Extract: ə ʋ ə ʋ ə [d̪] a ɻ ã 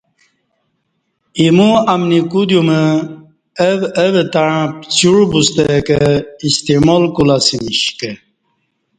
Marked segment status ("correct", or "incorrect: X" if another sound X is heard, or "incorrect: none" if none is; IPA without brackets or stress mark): incorrect: t̪